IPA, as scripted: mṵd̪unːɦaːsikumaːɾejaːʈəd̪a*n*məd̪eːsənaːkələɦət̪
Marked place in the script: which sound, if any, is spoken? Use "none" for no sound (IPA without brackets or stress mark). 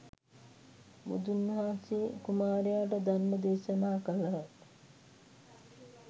n